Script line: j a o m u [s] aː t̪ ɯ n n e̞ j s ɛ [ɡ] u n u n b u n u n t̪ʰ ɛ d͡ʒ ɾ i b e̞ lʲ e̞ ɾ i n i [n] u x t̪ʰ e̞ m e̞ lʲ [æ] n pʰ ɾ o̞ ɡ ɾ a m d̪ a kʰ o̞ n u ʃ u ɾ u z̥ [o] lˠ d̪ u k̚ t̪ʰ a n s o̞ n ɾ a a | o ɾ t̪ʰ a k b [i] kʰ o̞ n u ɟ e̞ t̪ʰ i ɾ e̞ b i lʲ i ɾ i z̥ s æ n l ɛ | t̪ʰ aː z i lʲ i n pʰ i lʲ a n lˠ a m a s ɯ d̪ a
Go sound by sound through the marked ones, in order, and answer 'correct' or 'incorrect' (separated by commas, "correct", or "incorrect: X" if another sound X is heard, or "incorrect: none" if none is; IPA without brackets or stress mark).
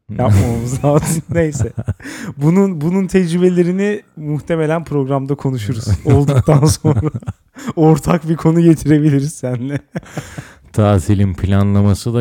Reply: incorrect: z, incorrect: b, incorrect: m, correct, correct, correct